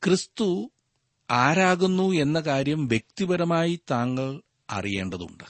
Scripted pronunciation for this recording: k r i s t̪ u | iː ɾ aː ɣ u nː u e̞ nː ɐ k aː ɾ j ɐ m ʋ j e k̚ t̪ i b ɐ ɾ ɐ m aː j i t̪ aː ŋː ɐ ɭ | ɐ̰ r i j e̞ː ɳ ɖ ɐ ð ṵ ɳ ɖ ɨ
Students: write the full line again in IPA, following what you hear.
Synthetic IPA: k r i s t̪ u | aː ɾ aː ɣ u nː u e̞ nː ɐ k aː ɾ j ɐ m ʋ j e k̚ t̪ i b ɐ ɾ ɐ m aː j i t̪ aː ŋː ɐ ɭ | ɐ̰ r i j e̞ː ɳ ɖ ɐ ð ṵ ɳ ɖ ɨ